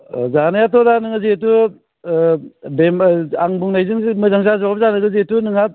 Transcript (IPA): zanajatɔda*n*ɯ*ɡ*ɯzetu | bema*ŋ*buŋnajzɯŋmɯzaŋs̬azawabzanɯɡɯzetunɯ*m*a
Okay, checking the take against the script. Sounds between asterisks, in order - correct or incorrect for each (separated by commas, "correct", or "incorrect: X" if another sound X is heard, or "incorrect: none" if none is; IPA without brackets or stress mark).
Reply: correct, incorrect: ŋ, correct, incorrect: ŋ